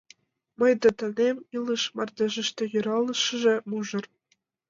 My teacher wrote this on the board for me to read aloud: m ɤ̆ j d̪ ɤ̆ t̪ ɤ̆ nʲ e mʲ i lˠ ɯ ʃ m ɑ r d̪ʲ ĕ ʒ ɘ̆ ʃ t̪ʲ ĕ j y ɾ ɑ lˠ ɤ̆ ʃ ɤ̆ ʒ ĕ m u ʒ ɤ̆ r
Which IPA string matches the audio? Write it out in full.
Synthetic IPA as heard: m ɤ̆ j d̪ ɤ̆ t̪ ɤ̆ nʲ e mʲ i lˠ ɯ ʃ m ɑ r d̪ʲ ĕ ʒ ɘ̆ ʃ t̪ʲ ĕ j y ɾ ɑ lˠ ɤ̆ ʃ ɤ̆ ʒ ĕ m u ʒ ɤ̆ r